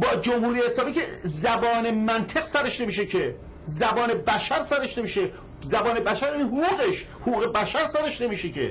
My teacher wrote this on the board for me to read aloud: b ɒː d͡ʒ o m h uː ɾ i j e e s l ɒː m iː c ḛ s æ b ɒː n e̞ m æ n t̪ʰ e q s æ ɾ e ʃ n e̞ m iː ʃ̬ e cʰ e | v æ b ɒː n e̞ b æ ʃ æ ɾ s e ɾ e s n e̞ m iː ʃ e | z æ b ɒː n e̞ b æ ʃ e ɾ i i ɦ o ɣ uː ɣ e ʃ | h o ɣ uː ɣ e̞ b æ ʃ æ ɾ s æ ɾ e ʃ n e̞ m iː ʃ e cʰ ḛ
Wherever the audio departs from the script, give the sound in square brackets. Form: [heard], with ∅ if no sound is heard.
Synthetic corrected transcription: b ɒː d͡ʒ o m h uː ɾ i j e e s l ɒː m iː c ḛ [z] æ b ɒː n e̞ m æ n t̪ʰ e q s æ ɾ e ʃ n e̞ m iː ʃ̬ e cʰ e | [z] æ b ɒː n e̞ b æ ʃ æ ɾ s [æ] ɾ e [ʃ] n e̞ m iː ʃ e | z æ b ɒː n e̞ b æ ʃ [æ] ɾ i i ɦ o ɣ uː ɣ e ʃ | h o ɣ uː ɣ e̞ b æ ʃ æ ɾ s æ ɾ e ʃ n e̞ m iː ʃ e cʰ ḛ

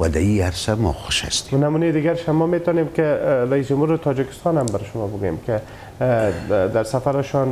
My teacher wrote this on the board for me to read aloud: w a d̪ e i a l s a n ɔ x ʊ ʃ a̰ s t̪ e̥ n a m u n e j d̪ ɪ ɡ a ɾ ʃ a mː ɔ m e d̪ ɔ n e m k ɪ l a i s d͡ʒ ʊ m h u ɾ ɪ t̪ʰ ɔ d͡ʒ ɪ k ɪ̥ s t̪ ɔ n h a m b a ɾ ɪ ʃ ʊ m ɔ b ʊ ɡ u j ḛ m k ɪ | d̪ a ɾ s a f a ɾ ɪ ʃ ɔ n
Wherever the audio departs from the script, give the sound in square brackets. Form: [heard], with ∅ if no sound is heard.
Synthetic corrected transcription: w a d̪ [a] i a [ɾ] s a [m] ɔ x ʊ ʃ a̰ s t̪ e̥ n a m u n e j d̪ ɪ ɡ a ɾ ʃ a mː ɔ m e [t̪] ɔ n e m k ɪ [ɾ] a i s d͡ʒ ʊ m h u ɾ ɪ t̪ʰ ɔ d͡ʒ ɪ k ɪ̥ s t̪ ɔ n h a m b a ɾ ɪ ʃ ʊ m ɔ b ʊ ɡ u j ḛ m k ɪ | d̪ a ɾ s a f a ɾ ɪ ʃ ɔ n

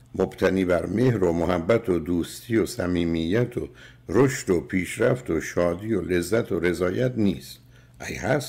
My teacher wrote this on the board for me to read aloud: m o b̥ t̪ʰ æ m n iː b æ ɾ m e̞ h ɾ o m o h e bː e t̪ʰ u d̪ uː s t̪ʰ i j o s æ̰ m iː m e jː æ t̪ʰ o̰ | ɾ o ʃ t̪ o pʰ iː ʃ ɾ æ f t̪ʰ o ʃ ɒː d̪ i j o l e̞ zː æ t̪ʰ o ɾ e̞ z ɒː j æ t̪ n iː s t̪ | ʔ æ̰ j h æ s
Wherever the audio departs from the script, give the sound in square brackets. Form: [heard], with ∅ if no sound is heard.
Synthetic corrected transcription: m o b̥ t̪ʰ æ [∅] n iː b æ ɾ m e̞ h ɾ o m o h [æ] bː [æ] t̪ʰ [o] d̪ uː s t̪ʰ i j o s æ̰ m iː m [i] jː æ t̪ʰ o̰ | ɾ o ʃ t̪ o pʰ iː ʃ ɾ æ f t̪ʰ o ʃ ɒː d̪ i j o l e̞ zː æ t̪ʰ o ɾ e̞ z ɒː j æ t̪ n iː s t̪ | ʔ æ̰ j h æ s

